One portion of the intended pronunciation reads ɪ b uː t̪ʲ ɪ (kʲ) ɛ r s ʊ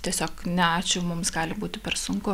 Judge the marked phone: incorrect: pʲ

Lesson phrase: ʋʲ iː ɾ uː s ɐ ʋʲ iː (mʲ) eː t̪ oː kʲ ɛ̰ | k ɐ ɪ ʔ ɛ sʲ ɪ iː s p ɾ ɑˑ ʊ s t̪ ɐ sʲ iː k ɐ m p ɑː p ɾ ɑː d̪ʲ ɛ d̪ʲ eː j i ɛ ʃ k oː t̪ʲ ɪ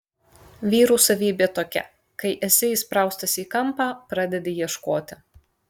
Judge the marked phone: incorrect: bʲ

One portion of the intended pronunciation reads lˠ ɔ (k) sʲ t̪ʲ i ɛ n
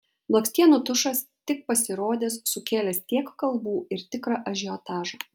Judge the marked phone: correct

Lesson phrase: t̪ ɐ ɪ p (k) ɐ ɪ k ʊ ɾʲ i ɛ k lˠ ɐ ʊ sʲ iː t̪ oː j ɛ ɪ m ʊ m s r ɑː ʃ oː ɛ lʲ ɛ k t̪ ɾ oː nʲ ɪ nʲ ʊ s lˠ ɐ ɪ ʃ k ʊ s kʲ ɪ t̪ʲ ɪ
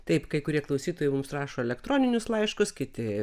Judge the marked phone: correct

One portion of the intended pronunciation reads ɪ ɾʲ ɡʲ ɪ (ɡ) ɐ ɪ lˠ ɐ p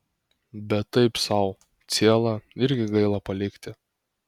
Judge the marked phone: correct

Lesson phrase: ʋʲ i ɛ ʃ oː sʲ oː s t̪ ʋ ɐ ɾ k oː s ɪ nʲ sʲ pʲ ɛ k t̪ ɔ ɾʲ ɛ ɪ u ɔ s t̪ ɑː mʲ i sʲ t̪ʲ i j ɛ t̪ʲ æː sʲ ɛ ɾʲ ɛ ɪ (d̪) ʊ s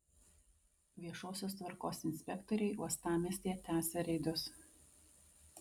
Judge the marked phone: correct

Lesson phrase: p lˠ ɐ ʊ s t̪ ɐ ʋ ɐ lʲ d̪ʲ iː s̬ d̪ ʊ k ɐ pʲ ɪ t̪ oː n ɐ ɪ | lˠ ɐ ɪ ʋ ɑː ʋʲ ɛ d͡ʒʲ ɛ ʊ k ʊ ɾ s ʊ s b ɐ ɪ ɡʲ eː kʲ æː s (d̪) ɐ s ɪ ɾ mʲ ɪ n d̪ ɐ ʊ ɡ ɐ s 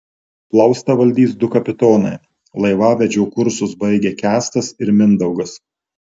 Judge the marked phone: incorrect: t̪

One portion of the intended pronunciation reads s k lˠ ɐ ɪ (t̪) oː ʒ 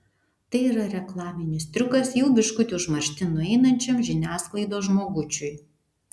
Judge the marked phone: incorrect: d̪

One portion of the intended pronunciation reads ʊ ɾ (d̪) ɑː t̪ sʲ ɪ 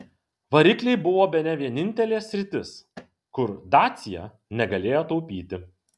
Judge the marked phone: correct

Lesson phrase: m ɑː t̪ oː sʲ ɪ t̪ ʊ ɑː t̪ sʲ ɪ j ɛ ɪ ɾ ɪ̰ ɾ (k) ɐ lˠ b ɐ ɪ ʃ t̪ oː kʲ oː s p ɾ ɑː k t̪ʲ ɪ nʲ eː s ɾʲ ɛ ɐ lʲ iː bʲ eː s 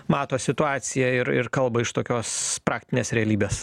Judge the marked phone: correct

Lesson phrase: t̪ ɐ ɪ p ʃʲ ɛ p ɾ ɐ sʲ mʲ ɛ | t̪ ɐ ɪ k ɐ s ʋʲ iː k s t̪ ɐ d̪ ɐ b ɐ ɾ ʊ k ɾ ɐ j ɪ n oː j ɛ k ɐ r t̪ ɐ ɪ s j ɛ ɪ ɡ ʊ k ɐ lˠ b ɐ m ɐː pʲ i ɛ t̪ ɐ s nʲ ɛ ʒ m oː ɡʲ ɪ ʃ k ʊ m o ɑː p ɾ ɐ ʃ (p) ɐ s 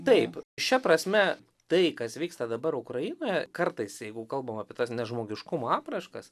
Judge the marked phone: incorrect: k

